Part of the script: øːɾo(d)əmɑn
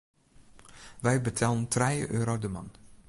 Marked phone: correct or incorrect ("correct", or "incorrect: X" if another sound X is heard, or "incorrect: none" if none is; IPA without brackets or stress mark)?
correct